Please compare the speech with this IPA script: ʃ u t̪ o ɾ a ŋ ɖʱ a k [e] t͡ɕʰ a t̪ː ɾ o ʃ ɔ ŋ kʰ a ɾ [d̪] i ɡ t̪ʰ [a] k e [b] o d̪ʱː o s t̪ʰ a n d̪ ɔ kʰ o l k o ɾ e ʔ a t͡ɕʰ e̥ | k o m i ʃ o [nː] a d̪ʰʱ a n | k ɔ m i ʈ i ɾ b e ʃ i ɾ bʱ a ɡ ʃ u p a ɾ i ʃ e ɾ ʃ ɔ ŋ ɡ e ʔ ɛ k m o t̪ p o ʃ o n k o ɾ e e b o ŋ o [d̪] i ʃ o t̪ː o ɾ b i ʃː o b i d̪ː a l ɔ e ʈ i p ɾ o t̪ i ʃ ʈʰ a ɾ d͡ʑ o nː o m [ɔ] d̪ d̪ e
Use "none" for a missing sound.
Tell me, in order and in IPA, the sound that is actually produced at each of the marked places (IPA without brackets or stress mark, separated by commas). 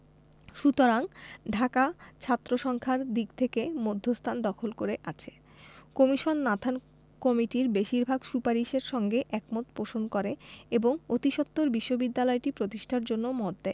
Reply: a, d̪, e, m, nː, t̪, ɔ